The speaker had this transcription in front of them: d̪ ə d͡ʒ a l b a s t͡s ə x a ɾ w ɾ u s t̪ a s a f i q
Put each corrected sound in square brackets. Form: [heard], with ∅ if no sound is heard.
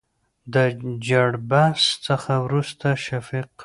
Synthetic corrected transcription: d̪ ə d͡ʒ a [ɽ] b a s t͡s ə x a [∅] w ɾ u s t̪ a [ʃ] a f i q